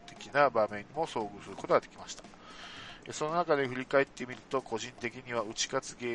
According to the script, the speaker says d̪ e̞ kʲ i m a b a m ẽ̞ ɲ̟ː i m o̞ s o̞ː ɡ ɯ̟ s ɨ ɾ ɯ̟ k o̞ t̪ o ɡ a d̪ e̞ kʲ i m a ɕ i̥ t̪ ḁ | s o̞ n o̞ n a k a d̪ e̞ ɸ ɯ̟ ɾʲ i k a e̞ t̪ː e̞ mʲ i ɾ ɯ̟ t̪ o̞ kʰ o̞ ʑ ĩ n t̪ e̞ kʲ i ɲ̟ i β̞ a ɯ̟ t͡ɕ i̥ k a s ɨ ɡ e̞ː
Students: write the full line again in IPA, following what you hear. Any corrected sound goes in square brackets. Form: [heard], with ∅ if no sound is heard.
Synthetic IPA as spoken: [t̪] e̞ kʲ i [n] a b a m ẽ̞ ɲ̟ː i m o̞ s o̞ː ɡ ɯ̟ s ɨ ɾ ɯ̟ k o̞ t̪ o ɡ a d̪ e̞ kʲ i m a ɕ i̥ t̪ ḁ | s o̞ n o̞ n a k a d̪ e̞ ɸ ɯ̟ ɾʲ i k a e̞ t̪ː e̞ mʲ i ɾ ɯ̟ t̪ o̞ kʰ o̞ ʑ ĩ n t̪ e̞ kʲ i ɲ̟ i β̞ a ɯ̟ t͡ɕ i̥ k a [t͡s] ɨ ɡ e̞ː